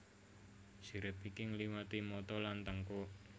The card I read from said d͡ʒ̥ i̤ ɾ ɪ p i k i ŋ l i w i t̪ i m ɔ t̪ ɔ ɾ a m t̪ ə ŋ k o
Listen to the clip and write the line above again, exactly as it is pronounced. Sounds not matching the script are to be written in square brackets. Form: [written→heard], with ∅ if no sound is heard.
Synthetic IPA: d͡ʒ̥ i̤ ɾ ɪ p i k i ŋ l i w [i→a] t̪ i m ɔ t̪ ɔ [ɾ→l] a [m→n] t̪ ə ŋ k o